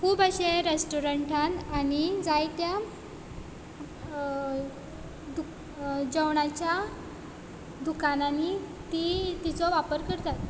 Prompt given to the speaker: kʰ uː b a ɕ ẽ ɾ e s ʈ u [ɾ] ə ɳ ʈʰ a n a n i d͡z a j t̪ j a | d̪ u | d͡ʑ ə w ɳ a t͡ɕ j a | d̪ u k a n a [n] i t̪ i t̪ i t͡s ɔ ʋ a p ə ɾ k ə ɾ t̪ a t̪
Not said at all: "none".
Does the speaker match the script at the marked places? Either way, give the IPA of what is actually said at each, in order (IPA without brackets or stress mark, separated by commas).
ɾ, n